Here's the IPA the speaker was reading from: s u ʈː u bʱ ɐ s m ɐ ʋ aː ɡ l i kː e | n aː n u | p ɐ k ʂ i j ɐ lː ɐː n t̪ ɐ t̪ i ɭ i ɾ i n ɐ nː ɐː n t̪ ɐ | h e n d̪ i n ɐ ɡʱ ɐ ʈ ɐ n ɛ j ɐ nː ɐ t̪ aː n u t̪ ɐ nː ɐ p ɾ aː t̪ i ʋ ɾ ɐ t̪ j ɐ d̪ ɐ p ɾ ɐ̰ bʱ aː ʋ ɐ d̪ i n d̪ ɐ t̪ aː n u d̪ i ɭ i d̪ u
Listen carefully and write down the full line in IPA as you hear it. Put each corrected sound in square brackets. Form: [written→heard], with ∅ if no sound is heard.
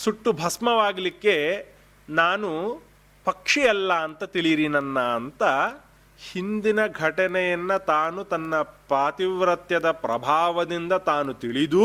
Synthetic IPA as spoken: s u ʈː u bʱ ɐ s m ɐ ʋ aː ɡ l i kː e | n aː n u | p ɐ k ʂ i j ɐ lː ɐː n t̪ ɐ t̪ i ɭ i ɾ i n ɐ nː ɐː n t̪ ɐ | h [e→i] n d̪ i n ɐ ɡʱ ɐ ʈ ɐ n ɛ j ɐ nː ɐ t̪ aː n u t̪ ɐ nː ɐ p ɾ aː t̪ i ʋ ɾ ɐ t̪ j ɐ d̪ ɐ p ɾ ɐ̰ bʱ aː ʋ ɐ d̪ i n d̪ ɐ t̪ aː n u [d̪→t̪] i ɭ i d̪ u